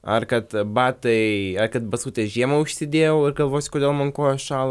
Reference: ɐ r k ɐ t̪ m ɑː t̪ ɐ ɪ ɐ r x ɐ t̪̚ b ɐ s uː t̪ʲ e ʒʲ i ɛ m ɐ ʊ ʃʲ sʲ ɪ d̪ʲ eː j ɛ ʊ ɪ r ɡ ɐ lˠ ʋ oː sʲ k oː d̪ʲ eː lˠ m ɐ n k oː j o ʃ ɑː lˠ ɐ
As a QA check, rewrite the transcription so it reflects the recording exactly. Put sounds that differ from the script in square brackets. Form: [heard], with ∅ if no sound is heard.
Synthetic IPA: ɐ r k ɐ t̪ [b] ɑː t̪ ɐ ɪ ɐ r [k] ɐ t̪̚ b ɐ s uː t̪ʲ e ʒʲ i ɛ m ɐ ʊ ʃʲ sʲ ɪ d̪ʲ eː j ɛ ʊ ɪ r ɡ ɐ lˠ ʋ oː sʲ k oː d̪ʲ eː lˠ m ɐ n k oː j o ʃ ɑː lˠ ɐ

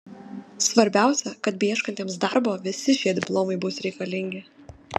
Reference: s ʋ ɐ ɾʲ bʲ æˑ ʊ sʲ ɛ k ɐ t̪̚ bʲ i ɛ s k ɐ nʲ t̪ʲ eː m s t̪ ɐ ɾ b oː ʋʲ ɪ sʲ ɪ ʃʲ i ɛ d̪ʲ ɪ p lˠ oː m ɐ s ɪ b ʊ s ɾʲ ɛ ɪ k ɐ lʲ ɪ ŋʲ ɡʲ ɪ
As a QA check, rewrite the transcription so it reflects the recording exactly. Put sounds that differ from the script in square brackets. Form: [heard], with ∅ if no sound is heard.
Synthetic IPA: s ʋ ɐ ɾʲ bʲ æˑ ʊ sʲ ɛ k ɐ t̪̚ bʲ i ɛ [ʃ] k ɐ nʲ t̪ʲ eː m s [d̪] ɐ ɾ b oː ʋʲ ɪ sʲ ɪ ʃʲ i ɛ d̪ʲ ɪ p lˠ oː m ɐ [∅] ɪ b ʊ s ɾʲ ɛ ɪ k ɐ lʲ ɪ ŋʲ ɡʲ ɪ

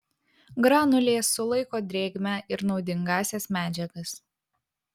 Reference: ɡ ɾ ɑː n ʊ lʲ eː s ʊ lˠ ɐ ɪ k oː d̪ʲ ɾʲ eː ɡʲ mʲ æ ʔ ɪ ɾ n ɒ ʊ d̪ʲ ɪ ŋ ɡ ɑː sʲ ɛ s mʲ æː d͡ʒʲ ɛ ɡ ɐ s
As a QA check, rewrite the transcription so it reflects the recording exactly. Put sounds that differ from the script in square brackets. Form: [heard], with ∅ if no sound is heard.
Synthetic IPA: ɡ ɾ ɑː n ʊ lʲ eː s ʊ lˠ ɐ ɪ k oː d̪ʲ ɾʲ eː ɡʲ mʲ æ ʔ ɪ ɾ n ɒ ʊ d̪ʲ ɪ ŋ ɡ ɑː sʲ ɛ s mʲ æː d͡ʒʲ ɛ ɡ ɐ s

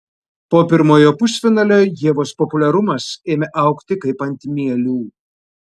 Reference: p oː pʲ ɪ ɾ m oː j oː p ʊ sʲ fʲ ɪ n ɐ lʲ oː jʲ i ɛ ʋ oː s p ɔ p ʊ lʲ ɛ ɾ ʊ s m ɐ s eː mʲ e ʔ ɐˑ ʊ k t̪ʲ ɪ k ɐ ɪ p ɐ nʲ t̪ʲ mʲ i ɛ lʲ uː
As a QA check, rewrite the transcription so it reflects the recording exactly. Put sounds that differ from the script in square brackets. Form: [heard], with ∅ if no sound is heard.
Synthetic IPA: p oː pʲ ɪ ɾ m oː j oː p ʊ sʲ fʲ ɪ n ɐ lʲ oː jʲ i ɛ ʋ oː s p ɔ p ʊ lʲ ɛ ɾ ʊ [∅] m ɐ s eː mʲ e ʔ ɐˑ ʊ k t̪ʲ ɪ k ɐ ɪ p ɐ nʲ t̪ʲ mʲ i ɛ lʲ uː

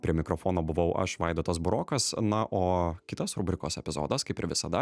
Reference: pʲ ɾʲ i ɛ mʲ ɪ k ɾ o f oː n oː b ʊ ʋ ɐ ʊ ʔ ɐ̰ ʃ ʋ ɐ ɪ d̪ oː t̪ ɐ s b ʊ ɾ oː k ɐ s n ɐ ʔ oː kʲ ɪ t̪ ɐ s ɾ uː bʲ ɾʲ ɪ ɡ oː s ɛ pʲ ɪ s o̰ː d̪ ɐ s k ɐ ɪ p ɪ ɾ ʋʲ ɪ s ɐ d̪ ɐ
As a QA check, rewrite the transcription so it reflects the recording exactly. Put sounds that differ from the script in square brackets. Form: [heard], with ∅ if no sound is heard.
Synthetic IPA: pʲ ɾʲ i ɛ mʲ ɪ k ɾ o f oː n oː b ʊ ʋ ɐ ʊ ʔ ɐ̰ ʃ ʋ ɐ ɪ d̪ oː t̪ ɐ s b ʊ ɾ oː k ɐ s n ɐ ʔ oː kʲ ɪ t̪ ɐ s ɾ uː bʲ ɾʲ ɪ [k] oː s ɛ pʲ ɪ [z] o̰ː d̪ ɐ s k ɐ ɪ p ɪ ɾ ʋʲ ɪ s ɐ d̪ ɐ

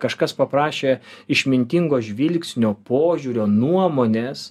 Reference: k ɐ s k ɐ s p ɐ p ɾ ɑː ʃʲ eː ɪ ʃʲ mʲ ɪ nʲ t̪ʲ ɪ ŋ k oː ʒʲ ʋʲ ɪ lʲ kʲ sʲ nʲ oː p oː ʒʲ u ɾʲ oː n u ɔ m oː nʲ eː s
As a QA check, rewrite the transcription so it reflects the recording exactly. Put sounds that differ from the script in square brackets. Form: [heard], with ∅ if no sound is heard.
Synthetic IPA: k ɐ [ʃ] k ɐ s p ɐ p ɾ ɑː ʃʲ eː ɪ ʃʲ mʲ ɪ nʲ t̪ʲ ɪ ŋ [ɡ] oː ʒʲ ʋʲ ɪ lʲ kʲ sʲ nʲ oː p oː ʒʲ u ɾʲ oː n u ɔ m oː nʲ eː s

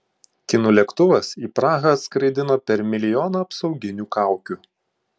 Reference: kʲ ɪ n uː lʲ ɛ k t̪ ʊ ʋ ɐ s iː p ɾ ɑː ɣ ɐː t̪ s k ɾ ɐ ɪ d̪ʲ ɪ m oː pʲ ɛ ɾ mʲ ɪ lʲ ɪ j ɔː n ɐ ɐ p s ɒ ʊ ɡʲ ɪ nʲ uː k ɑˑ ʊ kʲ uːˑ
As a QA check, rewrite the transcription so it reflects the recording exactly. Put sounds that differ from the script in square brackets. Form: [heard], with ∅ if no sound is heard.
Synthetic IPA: kʲ ɪ n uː lʲ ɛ k t̪ ʊ ʋ ɐ s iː p ɾ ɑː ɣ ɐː t̪ s k ɾ ɐ ɪ d̪ʲ ɪ [n] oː pʲ ɛ ɾ mʲ ɪ lʲ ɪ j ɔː n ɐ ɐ p s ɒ ʊ ɡʲ ɪ nʲ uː k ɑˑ ʊ kʲ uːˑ

